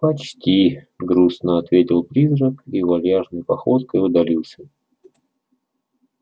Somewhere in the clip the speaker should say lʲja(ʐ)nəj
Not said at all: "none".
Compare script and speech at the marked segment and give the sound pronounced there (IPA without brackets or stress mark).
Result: ʐ